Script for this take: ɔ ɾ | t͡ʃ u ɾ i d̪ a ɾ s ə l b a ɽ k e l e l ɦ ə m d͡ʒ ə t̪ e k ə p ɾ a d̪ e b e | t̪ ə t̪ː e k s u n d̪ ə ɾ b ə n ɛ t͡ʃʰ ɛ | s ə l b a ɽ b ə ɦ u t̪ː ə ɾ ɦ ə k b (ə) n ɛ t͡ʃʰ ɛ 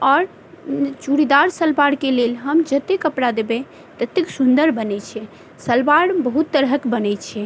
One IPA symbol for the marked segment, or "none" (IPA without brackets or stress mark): ə